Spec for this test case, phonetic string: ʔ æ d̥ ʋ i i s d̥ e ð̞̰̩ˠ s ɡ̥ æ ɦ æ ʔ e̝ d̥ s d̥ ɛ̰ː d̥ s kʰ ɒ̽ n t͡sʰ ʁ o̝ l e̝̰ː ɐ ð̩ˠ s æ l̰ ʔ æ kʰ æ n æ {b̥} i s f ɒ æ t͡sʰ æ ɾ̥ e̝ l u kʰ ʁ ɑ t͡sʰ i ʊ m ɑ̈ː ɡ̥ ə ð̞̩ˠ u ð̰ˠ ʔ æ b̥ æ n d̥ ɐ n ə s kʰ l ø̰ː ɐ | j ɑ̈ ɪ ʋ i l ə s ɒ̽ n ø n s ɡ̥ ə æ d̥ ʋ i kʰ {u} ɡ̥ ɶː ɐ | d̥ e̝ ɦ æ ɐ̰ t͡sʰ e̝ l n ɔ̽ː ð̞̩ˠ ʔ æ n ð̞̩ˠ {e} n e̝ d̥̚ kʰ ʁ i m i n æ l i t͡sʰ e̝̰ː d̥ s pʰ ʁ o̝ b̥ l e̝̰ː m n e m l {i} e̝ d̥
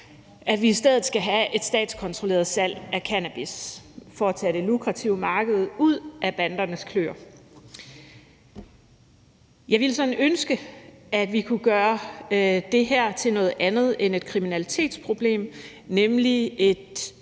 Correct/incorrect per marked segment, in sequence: correct, correct, correct, correct

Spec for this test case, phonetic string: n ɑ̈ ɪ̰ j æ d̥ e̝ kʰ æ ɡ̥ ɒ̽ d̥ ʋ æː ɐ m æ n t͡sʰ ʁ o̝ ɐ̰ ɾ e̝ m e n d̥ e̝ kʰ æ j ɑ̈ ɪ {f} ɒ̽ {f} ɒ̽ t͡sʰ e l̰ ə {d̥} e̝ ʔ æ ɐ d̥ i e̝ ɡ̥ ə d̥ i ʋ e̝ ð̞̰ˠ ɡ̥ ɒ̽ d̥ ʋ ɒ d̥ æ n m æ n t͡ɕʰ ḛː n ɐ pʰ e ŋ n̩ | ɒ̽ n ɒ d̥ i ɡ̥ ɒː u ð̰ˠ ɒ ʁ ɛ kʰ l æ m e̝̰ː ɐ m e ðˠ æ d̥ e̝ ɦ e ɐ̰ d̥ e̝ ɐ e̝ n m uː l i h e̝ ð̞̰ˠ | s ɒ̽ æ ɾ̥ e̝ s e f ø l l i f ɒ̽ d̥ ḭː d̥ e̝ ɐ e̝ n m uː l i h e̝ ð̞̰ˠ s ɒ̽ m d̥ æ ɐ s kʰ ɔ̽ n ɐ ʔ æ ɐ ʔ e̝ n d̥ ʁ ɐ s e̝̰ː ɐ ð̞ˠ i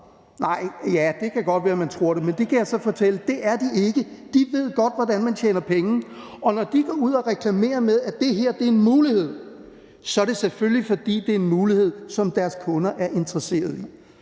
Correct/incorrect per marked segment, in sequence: incorrect, correct, correct

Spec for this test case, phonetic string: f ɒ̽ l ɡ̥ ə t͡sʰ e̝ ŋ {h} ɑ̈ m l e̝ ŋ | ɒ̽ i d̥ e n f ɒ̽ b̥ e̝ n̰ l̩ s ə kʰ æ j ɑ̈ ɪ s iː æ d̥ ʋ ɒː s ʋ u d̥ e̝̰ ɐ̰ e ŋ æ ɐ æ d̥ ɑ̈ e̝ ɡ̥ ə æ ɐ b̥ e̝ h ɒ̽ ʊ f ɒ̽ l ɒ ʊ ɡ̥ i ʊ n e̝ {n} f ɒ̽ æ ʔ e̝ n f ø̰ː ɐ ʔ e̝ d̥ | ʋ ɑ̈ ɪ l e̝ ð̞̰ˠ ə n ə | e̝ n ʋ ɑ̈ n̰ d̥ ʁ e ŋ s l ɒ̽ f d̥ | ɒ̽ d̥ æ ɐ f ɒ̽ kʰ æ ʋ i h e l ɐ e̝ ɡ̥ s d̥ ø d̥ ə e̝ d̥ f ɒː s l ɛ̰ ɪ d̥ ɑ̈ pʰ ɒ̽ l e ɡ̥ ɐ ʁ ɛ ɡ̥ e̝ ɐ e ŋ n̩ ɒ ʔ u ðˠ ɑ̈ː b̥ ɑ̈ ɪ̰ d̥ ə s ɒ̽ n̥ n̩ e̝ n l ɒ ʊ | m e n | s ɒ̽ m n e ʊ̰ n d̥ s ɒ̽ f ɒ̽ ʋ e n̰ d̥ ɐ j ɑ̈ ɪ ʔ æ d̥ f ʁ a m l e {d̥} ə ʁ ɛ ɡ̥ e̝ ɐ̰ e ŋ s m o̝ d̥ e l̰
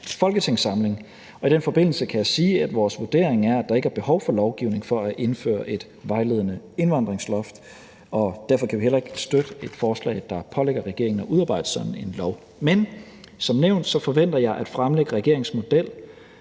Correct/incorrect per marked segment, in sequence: incorrect, incorrect, incorrect

